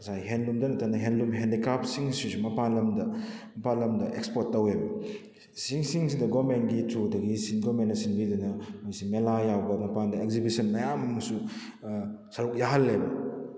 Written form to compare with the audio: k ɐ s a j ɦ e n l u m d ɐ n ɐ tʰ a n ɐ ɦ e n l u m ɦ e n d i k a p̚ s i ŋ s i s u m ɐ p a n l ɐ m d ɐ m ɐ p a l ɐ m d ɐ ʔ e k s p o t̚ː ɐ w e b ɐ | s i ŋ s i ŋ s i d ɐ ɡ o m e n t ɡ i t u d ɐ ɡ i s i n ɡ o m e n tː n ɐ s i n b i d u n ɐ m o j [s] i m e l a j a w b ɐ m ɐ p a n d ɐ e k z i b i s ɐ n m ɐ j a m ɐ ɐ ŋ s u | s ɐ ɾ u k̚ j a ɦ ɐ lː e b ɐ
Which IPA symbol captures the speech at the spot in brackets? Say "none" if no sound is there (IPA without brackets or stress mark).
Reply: s